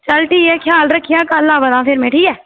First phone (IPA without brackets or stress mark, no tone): t͡ʃ